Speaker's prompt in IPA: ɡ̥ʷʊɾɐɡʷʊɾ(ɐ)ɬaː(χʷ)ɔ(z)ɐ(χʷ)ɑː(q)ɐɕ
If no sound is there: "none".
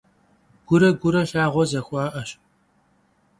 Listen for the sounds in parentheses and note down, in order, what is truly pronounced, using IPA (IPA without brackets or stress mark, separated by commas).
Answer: ɐ, ʁʷ, z, xʷ, ʔ